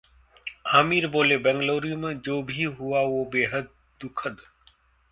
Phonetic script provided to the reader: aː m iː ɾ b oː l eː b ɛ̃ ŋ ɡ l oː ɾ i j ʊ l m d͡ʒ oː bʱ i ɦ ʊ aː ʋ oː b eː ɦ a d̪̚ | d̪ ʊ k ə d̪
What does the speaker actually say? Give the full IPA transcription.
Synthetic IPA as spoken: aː m iː ɾ b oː l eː b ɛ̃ ŋ ɡ l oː ɾ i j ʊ m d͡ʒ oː bʱ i ɦ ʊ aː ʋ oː b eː ɦ ə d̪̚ | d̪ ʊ kʰ ə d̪

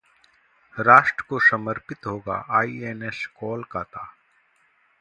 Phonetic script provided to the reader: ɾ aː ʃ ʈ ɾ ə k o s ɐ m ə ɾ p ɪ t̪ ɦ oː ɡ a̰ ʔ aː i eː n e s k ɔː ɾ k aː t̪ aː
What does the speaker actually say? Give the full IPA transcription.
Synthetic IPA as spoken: ɾ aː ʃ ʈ ɾ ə k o s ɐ m ə ɾ p ɪ t̪ ɦ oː ɡ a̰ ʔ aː i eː n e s k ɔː l k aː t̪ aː

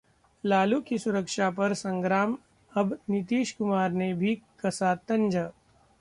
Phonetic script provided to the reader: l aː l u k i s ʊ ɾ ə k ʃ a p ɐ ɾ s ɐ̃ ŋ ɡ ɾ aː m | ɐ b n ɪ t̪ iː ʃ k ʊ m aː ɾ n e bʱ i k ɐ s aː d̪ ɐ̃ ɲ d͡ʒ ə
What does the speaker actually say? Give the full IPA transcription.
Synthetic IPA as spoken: l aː l u k i s ʊ ɾ ə k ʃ a p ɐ ɾ s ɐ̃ ŋ ɡ ɾ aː m | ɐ b n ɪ t̪ iː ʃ k ʊ m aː ɾ n e bʱ i k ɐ s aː t̪ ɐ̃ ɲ d͡ʒ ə

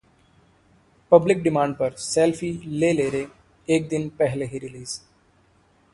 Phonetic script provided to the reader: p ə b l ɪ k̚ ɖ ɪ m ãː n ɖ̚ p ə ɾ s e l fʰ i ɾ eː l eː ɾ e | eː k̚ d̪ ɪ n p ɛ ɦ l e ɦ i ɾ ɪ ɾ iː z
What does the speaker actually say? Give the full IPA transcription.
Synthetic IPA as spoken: p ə b l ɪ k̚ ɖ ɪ m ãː ɳ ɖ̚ p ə ɾ s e l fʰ i l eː l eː ɾ e | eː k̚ d̪ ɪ n p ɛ ɦ l e ɦ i ɾ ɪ l iː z

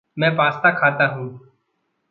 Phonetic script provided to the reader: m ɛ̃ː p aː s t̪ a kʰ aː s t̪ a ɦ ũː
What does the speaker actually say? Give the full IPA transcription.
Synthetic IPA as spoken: m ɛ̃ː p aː s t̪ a kʰ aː t̪ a ɦ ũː

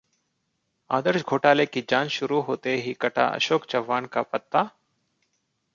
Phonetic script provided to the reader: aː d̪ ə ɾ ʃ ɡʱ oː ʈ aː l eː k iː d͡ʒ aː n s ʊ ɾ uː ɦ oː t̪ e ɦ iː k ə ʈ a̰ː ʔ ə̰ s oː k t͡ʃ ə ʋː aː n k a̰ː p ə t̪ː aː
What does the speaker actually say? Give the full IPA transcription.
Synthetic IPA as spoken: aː d̪ ə ɾ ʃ ɡʱ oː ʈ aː l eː k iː d͡ʒ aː n ʃ ʊ ɾ uː ɦ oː t̪ e ɦ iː k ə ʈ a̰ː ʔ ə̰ ʃ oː k t͡ʃ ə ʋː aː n k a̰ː p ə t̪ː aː

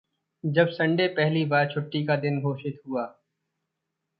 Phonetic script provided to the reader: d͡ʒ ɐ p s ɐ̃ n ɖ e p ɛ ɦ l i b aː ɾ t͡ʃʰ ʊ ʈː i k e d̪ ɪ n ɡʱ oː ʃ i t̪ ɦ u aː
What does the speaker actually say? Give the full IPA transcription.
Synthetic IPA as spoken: d͡ʒ ɐ b s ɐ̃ ɳ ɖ e p ɛ ɦ l i b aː ɾ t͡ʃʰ ʊ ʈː i k a d̪ ɪ n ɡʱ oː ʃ ɪ t̪ ɦ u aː

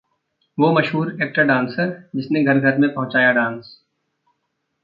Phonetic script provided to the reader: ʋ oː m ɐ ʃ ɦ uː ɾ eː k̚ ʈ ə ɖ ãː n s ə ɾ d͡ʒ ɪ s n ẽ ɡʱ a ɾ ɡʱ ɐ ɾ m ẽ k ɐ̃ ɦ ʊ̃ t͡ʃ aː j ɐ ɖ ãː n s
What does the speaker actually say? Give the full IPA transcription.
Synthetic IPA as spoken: ʋ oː m ɐ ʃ ɦ uː ɾ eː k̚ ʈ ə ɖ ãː n s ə ɾ d͡ʒ ɪ s n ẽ ɡʱ ɐ ɾ ɡʱ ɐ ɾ m ẽ p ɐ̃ ɦ ʊ̃ t͡ʃ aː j a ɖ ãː n s

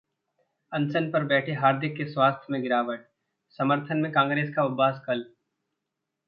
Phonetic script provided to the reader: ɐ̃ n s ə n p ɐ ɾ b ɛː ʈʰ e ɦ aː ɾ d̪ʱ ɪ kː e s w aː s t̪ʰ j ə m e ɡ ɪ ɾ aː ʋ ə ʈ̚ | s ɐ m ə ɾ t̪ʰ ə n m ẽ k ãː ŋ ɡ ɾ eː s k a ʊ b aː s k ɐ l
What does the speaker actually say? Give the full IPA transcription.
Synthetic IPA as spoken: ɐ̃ n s ə n p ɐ ɾ b ɛː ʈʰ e ɦ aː ɾ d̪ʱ ɪ kː e s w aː s t̪ʰ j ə m ẽ ɡ ɪ ɾ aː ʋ ə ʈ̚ | s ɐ m ə ɾ t̪ʰ ə n m ẽ k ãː ŋ ɡ ɾ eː s k a ʊ b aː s k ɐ l

